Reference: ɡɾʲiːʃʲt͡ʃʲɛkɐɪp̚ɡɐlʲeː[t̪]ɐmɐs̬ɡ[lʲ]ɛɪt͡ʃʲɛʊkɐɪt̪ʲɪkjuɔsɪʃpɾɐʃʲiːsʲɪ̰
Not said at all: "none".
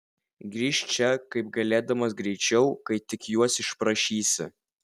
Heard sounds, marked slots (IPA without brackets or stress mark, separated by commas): d̪, ɾʲ